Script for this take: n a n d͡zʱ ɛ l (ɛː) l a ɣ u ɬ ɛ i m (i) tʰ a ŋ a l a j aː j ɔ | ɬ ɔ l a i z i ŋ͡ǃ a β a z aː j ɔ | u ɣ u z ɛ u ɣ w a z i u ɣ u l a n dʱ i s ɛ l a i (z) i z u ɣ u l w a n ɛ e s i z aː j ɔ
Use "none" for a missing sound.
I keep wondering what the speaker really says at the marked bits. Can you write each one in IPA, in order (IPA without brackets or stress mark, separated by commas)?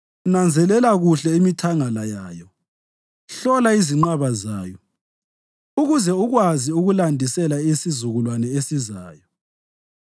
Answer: ɛ, i, s